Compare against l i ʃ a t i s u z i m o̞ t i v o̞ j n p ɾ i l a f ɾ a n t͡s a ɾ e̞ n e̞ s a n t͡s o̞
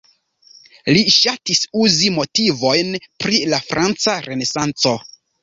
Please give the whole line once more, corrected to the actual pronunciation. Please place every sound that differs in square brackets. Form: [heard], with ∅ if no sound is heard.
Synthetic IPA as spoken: l i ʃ a t i s u z i m o̞ t i v o̞ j n p ɾ i l a f ɾ a n t͡s a ɾ e̞ n e̞ s a n t͡s o̞